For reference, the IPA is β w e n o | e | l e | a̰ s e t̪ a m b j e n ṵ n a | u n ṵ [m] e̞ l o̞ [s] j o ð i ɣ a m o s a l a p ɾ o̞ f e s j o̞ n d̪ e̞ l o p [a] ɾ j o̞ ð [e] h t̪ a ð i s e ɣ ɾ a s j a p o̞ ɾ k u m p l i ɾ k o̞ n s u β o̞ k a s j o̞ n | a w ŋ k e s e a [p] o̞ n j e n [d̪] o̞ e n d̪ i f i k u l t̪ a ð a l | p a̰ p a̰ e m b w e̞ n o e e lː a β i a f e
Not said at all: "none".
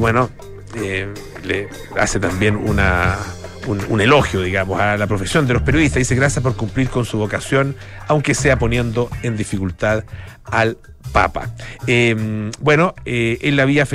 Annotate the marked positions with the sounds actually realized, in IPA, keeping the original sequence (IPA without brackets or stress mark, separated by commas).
n, x, e, i, p, d̪